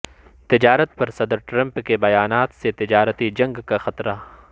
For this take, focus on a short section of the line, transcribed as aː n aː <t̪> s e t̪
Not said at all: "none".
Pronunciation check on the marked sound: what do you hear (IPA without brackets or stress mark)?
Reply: t̪